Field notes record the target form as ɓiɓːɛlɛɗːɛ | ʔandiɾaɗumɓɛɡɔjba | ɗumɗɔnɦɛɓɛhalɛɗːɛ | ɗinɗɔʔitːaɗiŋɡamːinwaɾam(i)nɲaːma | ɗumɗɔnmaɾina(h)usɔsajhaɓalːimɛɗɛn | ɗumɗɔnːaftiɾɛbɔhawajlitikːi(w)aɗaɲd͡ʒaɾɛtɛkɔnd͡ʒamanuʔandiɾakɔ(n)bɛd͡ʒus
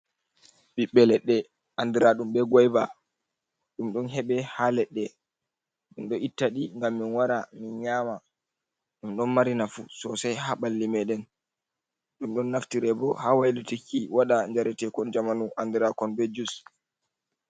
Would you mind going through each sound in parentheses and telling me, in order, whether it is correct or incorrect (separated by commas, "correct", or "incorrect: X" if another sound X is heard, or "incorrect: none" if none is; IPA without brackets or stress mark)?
correct, incorrect: f, correct, correct